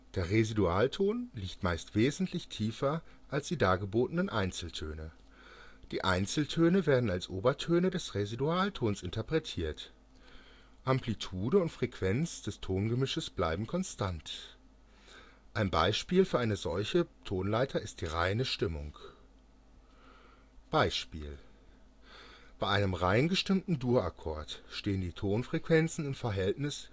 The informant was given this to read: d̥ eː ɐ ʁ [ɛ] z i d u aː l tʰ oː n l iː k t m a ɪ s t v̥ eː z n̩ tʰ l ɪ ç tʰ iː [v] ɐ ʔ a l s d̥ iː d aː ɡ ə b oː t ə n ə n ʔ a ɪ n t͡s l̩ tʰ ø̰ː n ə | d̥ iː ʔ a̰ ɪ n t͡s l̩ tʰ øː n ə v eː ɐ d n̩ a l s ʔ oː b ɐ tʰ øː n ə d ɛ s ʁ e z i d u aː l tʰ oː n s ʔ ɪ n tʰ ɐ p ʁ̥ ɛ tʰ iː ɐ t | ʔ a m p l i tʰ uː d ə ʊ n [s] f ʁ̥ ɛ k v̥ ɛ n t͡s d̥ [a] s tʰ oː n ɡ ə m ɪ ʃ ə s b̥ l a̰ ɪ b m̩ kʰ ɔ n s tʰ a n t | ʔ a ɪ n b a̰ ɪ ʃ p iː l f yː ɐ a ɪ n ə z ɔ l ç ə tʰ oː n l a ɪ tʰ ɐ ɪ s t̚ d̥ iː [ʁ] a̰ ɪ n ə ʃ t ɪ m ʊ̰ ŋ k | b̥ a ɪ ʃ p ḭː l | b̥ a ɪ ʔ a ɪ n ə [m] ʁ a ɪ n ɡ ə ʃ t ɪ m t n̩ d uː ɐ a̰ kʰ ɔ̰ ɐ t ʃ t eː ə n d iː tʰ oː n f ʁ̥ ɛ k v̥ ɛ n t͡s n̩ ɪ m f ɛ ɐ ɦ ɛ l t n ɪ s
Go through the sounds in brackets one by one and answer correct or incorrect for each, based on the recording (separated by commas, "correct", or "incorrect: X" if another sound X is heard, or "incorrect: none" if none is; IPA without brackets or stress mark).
incorrect: e, incorrect: f, incorrect: t, incorrect: ɛ, correct, correct